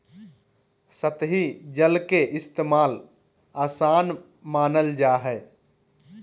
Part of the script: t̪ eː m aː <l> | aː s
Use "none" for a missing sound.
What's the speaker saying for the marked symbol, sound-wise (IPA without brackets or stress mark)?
l